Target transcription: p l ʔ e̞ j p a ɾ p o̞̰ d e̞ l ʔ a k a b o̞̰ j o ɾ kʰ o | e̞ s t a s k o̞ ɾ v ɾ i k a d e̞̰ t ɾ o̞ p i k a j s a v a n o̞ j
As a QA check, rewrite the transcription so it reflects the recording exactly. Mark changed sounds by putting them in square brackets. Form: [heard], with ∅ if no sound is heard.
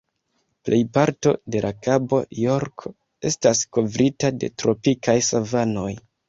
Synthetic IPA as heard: p l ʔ e̞ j p a ɾ [t] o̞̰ d e̞ l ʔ a k a b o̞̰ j o ɾ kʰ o | e̞ s t a s k o̞ [∅] v ɾ i [t] a d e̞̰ t ɾ o̞ p i k a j s a v a n o̞ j